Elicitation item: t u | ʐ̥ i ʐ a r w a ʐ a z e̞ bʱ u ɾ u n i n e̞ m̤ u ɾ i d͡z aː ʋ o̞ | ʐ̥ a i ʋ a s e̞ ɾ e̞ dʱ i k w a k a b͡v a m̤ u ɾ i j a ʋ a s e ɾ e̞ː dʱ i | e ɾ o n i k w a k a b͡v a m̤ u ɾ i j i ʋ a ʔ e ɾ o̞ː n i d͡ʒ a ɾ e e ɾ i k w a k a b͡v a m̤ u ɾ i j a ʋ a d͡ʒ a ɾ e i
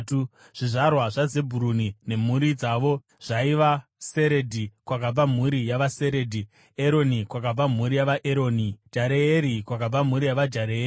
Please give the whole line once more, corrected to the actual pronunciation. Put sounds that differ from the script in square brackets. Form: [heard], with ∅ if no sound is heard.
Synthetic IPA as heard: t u | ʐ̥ i ʐ a r w a ʐ a z e̞ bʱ u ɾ u n i n e̞ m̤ u ɾ i d͡z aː ʋ o̞ | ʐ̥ a i ʋ a s e̞ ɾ e̞ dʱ i k w a k a b͡v a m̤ u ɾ i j a ʋ a s e ɾ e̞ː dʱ i | e ɾ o n i k w a k a b͡v a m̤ u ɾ i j [a] ʋ a ʔ e ɾ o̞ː n i d͡ʒ a ɾ e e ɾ i k w a k a b͡v a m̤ u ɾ i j a ʋ a d͡ʒ a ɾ e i